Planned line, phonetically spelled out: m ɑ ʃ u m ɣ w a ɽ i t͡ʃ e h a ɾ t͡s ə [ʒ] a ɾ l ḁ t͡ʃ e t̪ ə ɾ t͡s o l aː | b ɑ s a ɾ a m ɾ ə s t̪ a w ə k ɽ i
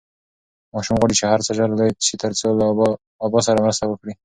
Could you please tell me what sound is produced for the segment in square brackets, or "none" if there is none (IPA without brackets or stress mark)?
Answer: ʒ